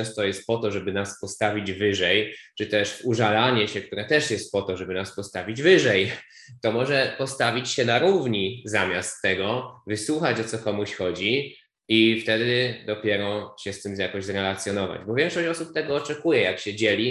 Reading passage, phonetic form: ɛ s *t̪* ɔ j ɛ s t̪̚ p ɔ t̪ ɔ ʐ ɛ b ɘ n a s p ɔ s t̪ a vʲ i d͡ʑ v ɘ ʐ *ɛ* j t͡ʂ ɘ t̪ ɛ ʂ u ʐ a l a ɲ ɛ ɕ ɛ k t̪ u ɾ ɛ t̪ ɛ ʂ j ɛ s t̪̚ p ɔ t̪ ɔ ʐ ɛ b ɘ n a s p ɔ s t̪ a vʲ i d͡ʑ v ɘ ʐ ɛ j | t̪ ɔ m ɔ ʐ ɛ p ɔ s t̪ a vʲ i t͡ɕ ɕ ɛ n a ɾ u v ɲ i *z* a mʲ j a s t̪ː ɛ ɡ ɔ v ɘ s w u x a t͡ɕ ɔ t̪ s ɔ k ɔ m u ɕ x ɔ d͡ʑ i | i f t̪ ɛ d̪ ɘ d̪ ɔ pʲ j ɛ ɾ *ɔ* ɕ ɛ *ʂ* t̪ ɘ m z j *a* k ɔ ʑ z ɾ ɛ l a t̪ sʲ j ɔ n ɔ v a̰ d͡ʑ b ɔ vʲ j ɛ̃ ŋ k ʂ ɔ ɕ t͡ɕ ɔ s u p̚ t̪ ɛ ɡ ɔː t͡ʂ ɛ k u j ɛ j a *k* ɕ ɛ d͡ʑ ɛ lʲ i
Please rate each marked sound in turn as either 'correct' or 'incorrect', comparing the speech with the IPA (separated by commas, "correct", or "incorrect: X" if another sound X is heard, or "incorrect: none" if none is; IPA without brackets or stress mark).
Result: correct, correct, correct, correct, incorrect: s, correct, correct